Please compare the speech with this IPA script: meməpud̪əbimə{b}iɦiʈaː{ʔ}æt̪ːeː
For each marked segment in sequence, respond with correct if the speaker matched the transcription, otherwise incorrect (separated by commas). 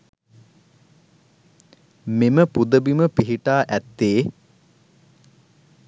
incorrect, correct